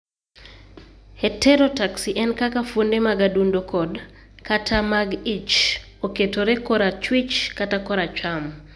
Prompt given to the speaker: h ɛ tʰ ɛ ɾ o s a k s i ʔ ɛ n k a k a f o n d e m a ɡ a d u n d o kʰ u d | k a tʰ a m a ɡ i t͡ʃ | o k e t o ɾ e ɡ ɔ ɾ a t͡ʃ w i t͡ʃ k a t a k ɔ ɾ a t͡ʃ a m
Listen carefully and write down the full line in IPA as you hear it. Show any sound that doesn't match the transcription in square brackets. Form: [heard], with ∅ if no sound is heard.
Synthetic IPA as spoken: h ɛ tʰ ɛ ɾ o [t] a k s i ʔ ɛ n k a k a f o n d e m a ɡ a d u n d o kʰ [ɔ] d | k a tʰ a m a ɡ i t͡ʃ | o k e t o ɾ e [k] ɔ ɾ a t͡ʃ w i t͡ʃ k a t a k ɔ ɾ a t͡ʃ a m